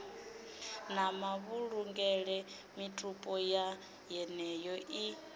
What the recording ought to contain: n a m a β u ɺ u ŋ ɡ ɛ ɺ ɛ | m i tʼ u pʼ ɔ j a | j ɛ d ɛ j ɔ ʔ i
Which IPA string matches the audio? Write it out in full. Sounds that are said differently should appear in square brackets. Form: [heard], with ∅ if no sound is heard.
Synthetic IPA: n a m a β u ɺ u ŋ ɡ ɛ ɺ ɛ | m i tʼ u pʼ ɔ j a | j ɛ [n] ɛ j ɔ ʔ i